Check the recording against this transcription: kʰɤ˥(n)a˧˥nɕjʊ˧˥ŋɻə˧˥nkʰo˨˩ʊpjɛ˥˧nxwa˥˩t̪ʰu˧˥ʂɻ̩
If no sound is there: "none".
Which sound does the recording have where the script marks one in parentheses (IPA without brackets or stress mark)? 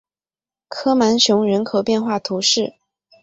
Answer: m